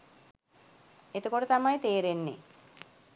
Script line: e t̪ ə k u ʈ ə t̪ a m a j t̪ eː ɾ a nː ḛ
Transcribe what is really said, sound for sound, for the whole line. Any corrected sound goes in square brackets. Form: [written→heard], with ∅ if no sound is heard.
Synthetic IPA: e t̪ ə k [u→o] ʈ ə t̪ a m a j t̪ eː ɾ [a→e] nː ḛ